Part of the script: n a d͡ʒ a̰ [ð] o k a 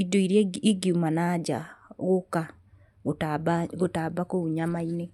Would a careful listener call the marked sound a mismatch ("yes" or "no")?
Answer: yes